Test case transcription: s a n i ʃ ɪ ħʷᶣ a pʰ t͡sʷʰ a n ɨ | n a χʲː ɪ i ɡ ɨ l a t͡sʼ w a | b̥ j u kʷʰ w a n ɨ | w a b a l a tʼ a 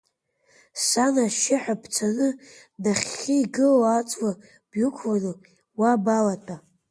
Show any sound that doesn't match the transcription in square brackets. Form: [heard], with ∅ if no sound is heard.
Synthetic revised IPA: s a n [a] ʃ ɪ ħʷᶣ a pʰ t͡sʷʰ a n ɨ | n a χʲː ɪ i ɡ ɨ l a t͡sʼ w a | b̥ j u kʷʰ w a n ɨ | w a b a l a tʼ a